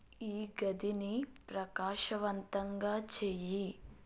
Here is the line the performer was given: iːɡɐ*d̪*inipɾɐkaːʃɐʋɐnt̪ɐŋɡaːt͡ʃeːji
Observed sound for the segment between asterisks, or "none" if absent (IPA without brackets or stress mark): d̪